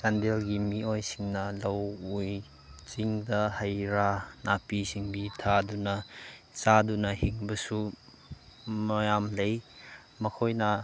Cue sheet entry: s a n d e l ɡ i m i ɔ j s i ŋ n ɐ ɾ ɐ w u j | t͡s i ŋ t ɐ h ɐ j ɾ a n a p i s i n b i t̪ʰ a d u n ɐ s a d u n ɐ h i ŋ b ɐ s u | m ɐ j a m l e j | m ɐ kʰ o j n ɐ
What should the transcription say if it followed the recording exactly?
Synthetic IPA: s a n d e l ɡ i m i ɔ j s i ŋ n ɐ l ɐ w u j | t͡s i ŋ d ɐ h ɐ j ɾ a n a p i s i ŋ b i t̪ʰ a d u n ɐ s a d u n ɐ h i ŋ b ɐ s u | m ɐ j a m l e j | m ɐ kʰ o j n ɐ